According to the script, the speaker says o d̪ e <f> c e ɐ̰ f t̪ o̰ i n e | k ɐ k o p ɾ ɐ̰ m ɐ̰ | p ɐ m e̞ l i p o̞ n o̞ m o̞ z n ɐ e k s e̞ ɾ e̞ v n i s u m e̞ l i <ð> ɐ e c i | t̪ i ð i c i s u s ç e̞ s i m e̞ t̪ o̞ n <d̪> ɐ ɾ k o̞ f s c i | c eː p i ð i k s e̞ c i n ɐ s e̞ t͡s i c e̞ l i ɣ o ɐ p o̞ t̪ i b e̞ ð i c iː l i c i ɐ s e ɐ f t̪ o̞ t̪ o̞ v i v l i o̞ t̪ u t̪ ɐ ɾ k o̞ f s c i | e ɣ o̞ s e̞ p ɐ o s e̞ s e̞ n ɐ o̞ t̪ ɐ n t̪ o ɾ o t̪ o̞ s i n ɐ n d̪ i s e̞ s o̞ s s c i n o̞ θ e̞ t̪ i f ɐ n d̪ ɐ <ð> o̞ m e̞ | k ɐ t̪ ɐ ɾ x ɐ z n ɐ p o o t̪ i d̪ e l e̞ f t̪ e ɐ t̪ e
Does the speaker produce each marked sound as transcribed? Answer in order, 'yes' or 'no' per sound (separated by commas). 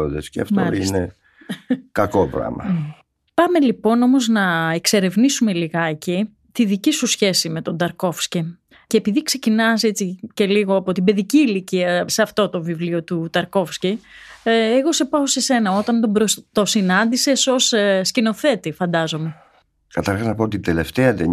no, no, yes, no